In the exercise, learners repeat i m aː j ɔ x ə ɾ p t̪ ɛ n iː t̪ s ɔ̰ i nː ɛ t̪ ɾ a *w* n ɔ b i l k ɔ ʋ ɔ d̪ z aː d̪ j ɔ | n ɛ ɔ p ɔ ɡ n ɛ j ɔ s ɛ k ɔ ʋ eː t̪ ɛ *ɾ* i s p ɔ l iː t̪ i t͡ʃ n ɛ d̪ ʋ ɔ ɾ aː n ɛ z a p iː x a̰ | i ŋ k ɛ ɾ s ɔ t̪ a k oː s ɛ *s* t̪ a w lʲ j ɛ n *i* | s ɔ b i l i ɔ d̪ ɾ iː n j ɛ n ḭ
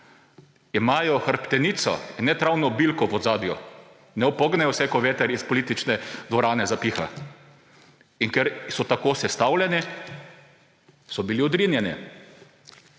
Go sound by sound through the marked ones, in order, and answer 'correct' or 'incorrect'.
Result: correct, correct, correct, correct

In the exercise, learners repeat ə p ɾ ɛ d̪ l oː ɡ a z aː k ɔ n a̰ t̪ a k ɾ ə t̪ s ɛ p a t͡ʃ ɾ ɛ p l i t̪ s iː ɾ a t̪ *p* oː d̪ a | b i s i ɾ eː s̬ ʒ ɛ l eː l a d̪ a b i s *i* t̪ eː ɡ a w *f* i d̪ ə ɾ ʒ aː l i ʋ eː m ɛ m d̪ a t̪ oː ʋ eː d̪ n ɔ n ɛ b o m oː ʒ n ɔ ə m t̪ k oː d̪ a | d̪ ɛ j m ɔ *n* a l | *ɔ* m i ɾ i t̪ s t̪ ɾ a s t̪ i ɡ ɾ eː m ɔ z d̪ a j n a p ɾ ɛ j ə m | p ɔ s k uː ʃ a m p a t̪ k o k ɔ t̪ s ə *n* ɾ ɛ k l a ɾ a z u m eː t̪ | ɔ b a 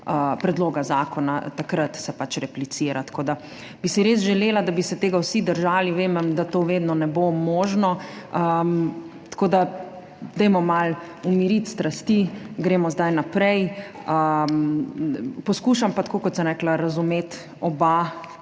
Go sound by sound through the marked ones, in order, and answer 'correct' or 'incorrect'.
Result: incorrect: k, incorrect: ɛ, incorrect: s, incorrect: m, incorrect: u, incorrect: m

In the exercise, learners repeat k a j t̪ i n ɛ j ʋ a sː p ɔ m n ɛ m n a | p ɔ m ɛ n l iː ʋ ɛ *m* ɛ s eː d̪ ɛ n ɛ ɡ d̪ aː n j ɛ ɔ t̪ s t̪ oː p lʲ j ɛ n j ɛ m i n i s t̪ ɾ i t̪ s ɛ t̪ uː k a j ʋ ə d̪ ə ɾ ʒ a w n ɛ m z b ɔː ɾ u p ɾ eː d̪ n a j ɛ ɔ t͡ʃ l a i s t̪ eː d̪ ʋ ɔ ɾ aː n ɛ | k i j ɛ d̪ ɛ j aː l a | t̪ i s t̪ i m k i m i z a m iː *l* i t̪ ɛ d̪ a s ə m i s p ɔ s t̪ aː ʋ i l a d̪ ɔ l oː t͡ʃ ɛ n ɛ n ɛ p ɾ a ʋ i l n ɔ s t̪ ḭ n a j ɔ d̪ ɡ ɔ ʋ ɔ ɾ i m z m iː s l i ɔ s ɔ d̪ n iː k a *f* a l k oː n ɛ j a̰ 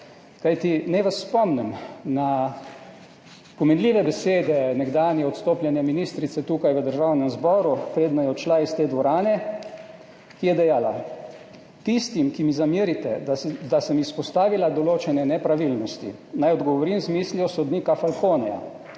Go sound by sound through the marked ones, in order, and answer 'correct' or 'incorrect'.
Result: incorrect: b, incorrect: ɾ, correct

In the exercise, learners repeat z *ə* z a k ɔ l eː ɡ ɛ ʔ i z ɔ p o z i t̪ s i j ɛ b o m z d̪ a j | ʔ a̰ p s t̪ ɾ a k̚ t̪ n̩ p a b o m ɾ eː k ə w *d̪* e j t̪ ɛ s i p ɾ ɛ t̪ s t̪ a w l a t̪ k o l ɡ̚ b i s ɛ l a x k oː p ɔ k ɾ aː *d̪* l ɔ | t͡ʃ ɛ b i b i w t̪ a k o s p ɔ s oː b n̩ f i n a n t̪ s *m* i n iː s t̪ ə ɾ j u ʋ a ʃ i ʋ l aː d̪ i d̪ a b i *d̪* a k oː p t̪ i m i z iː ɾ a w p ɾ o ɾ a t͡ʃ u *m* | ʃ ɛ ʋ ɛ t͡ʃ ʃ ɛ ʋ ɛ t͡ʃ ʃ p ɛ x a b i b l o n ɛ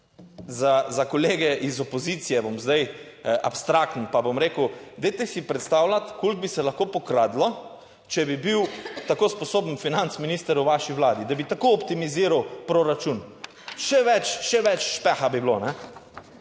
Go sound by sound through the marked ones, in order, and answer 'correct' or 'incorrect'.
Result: incorrect: a, correct, correct, correct, incorrect: t̪, incorrect: n

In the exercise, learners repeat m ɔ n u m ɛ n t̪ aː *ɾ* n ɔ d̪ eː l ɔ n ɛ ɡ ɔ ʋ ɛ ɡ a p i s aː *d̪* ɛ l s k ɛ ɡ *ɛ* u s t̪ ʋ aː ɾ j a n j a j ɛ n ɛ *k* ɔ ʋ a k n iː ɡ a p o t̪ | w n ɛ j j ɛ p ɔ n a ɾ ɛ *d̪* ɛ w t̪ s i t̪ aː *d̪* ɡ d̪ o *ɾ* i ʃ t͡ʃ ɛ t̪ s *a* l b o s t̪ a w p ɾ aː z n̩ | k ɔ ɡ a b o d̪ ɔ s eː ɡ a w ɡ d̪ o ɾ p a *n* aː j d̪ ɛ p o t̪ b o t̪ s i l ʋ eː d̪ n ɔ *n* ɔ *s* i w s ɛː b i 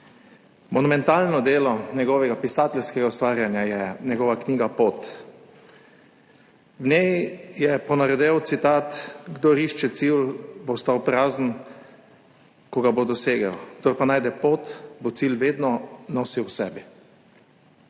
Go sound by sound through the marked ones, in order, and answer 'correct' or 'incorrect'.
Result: incorrect: l, incorrect: t̪, incorrect: a, incorrect: ɡ, correct, incorrect: t̪, correct, incorrect: i, correct, correct, correct

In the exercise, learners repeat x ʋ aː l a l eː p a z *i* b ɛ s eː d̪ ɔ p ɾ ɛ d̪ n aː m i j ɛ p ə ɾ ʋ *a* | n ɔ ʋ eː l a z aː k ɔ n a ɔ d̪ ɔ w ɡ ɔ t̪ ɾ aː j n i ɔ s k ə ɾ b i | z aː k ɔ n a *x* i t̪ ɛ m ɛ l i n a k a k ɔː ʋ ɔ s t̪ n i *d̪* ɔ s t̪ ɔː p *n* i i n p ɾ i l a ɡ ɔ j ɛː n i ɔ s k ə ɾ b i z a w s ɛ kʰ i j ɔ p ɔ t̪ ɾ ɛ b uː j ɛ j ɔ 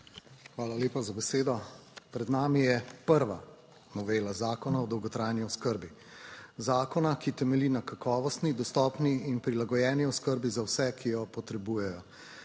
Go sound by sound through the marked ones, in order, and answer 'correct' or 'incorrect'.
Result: incorrect: a, correct, incorrect: k, correct, correct

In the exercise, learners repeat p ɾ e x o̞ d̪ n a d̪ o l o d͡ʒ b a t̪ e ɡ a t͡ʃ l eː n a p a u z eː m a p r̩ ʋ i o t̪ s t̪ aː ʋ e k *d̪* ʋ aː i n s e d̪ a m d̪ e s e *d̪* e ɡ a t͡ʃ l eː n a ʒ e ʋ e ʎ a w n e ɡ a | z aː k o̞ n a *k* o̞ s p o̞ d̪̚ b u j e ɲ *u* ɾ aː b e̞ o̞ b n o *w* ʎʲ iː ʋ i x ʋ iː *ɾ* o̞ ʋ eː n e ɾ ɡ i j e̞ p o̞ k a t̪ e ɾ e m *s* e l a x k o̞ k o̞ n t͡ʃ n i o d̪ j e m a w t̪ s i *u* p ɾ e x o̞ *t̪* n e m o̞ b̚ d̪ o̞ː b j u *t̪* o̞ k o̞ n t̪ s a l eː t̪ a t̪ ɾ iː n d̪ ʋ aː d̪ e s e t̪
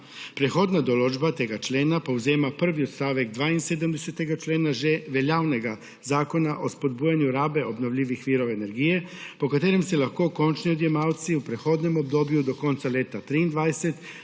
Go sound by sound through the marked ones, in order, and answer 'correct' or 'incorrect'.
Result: correct, incorrect: t̪, incorrect: ʔ, correct, incorrect: ʋ, correct, correct, correct, incorrect: d̪, incorrect: d̪

